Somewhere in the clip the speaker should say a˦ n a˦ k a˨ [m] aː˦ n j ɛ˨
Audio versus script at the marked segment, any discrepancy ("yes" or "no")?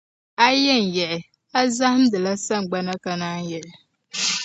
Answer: yes